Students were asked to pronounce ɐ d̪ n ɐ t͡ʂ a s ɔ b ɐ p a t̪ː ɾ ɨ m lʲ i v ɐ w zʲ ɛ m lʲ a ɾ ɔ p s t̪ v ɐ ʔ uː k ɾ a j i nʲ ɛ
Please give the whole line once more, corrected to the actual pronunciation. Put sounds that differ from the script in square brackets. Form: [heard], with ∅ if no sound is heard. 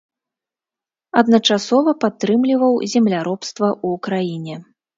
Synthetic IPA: ɐ d̪ n ɐ t͡ʂ a s ɔ [v] ɐ p a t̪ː ɾ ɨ m lʲ i v ɐ w zʲ ɛ m lʲ a ɾ ɔ p s t̪ v ɐ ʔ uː k ɾ a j i nʲ ɛ